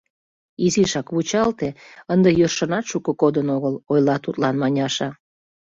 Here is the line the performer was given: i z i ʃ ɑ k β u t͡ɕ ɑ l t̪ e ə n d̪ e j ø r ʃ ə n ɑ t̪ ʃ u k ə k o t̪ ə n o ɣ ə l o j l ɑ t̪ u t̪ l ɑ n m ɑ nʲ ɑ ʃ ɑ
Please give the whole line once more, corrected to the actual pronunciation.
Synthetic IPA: i z i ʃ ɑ k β u t͡ɕ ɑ l t̪ e ə n d̪ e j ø r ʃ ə n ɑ t̪ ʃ u k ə k o d̪ ə n o ɣ ə l o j l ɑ t̪ u t̪ l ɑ n m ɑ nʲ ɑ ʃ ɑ